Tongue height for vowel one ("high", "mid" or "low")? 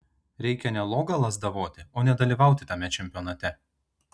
mid